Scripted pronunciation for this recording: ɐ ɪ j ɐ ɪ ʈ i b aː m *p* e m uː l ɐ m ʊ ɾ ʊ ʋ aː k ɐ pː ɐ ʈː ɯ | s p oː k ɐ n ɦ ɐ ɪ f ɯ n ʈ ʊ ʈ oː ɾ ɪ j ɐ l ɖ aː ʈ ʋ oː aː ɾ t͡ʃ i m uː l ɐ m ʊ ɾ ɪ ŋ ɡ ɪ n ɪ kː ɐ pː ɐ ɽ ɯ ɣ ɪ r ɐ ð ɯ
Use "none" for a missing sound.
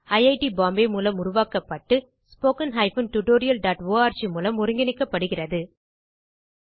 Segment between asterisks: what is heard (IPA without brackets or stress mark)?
b